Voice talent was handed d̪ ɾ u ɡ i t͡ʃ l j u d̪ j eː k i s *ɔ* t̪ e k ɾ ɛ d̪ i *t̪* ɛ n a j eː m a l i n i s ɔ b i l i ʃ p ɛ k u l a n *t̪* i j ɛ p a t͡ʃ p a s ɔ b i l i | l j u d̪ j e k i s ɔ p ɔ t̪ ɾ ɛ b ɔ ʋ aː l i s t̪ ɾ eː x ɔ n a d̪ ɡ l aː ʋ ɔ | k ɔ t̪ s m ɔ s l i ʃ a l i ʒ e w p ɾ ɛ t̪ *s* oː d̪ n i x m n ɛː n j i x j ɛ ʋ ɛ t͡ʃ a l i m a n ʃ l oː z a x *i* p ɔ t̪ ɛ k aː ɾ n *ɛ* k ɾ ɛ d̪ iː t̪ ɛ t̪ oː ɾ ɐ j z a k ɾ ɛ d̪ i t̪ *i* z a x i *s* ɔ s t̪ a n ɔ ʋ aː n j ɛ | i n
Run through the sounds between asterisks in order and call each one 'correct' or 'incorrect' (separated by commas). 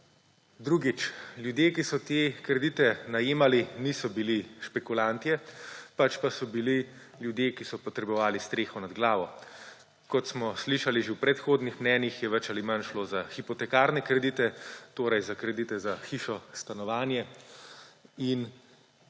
correct, correct, correct, incorrect, correct, correct, incorrect, incorrect